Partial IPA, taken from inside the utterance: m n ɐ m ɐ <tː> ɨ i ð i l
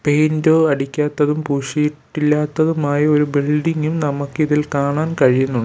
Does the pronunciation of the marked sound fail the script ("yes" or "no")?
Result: yes